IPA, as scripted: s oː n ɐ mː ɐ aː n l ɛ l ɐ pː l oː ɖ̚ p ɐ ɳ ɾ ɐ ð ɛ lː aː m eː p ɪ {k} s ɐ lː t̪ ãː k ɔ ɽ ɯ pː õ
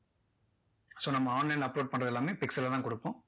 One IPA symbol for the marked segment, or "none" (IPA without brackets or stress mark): k